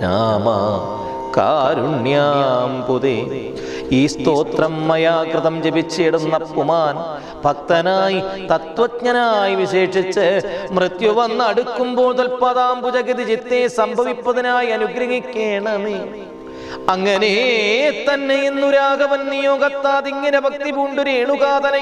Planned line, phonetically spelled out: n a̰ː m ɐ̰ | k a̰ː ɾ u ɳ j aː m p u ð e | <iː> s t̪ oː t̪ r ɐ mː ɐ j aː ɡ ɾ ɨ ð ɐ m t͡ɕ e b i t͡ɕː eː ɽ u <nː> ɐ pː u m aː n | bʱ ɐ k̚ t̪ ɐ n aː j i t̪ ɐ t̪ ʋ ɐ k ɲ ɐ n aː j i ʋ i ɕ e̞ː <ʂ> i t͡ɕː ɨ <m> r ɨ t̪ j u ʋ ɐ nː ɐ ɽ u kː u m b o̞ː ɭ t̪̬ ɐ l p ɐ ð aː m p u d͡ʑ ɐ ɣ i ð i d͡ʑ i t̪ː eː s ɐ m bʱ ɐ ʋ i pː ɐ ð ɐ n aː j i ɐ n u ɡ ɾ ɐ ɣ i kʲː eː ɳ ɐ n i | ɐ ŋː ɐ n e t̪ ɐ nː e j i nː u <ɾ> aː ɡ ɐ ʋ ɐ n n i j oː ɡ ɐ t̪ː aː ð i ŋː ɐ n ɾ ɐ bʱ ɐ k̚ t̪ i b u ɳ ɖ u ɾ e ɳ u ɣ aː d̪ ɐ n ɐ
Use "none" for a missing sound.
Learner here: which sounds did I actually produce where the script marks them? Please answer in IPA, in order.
iː, nː, ʂ, m, ɾ

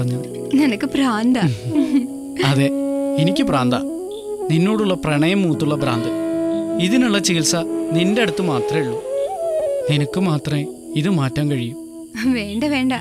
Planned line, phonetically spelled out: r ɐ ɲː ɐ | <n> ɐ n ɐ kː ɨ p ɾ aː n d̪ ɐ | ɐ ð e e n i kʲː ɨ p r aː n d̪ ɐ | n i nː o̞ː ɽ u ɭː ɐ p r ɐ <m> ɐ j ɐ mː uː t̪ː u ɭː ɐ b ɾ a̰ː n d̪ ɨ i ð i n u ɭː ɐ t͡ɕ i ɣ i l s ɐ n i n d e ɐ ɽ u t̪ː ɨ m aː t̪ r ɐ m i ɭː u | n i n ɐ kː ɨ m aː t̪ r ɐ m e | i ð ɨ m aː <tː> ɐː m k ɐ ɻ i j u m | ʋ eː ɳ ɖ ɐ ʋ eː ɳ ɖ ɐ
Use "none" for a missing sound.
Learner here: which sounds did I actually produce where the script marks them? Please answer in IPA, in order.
n, ɳ, tː

